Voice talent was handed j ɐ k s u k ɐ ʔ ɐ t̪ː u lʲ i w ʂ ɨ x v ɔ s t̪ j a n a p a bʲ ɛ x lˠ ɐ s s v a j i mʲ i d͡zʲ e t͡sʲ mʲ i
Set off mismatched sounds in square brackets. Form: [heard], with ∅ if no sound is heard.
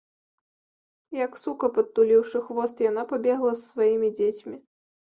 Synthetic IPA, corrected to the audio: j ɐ k s u k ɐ [p] ɐ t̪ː u lʲ i w ʂ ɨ x v ɔ s t̪ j a n a p a bʲ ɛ [ɣ] lˠ ɐ s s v a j i mʲ i d͡zʲ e t͡sʲ mʲ i